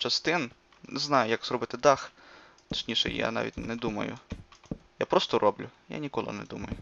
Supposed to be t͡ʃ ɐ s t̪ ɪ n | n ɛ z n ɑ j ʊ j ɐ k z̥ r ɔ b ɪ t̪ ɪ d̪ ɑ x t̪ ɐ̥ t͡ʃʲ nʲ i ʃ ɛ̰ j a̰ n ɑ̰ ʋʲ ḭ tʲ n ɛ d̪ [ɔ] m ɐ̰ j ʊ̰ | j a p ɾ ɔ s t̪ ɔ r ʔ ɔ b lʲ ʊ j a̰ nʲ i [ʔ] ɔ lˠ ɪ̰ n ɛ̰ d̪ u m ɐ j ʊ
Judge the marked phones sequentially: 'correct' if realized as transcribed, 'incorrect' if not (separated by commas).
incorrect, incorrect